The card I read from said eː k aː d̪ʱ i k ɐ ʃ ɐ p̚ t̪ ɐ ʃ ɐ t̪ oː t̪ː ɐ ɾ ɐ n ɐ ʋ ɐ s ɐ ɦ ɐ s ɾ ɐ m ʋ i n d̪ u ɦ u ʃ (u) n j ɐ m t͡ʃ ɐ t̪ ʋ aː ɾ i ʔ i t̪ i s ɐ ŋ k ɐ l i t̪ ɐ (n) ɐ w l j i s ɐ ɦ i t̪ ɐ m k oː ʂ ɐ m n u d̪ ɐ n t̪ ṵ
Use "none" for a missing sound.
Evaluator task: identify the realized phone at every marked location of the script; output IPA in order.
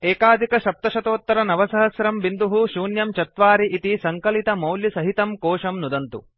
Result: uː, m

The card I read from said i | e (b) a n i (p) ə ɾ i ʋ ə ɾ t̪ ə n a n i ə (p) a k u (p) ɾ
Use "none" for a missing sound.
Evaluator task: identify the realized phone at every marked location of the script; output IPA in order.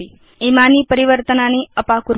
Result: m, p, p, none

